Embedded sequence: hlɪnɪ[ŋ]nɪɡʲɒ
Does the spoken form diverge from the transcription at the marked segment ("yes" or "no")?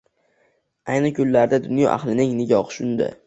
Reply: no